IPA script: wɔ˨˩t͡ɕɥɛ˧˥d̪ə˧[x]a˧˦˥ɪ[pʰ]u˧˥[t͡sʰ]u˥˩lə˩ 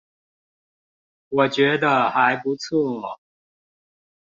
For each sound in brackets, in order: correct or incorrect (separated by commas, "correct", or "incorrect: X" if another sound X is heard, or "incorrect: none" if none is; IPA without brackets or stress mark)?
correct, incorrect: p, correct